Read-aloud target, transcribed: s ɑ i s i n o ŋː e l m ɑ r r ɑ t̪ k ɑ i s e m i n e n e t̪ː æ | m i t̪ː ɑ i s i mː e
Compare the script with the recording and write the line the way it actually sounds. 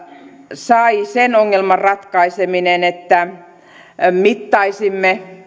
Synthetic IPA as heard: s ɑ i s e n o ŋː e l m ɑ r r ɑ t̪ k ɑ i s e m i n e n e t̪ː æ | m i t̪ː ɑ i s i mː e